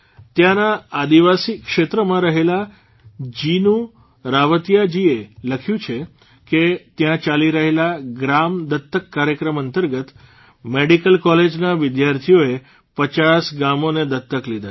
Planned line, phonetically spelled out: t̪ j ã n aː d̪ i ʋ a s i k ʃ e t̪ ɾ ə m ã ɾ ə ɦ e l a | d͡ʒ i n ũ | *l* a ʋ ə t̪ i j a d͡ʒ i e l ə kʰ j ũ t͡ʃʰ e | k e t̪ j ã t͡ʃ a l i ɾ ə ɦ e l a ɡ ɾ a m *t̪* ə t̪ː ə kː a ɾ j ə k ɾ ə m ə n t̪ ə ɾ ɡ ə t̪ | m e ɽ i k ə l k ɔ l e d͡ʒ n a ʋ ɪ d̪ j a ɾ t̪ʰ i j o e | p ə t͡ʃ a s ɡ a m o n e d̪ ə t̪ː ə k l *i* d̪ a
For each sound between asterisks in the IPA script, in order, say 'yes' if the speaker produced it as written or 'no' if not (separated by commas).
no, no, yes